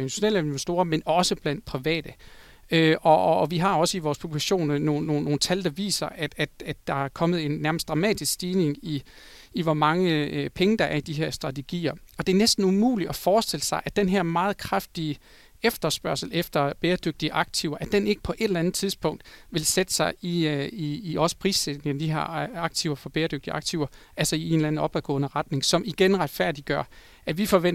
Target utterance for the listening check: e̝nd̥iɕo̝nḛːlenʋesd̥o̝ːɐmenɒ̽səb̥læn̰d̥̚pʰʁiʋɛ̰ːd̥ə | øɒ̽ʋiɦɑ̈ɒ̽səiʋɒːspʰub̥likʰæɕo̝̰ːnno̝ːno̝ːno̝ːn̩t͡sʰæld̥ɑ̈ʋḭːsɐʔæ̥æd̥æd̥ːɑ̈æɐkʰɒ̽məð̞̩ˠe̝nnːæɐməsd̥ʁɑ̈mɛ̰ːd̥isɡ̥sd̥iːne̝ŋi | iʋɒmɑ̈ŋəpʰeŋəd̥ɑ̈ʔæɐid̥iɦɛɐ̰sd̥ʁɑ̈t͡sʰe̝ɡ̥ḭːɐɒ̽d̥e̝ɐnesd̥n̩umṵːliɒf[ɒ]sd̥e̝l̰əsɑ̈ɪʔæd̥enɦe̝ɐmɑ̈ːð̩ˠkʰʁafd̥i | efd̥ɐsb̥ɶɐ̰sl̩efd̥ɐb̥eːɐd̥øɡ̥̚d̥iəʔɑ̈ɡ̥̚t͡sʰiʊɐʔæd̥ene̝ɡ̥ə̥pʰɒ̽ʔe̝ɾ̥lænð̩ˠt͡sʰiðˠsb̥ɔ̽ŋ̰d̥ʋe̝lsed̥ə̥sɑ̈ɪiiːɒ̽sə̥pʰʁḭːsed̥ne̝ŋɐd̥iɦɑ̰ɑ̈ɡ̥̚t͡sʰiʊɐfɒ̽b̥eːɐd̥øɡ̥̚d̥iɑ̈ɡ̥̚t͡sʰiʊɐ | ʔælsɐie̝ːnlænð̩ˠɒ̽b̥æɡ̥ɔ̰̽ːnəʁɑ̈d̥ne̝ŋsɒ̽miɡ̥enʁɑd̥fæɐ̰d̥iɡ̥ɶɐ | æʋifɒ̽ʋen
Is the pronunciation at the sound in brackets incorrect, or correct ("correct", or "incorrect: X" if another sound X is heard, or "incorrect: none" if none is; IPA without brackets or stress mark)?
incorrect: ɒː